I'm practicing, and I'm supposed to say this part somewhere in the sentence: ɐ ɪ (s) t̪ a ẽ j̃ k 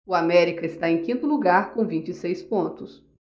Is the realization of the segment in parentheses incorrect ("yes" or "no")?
no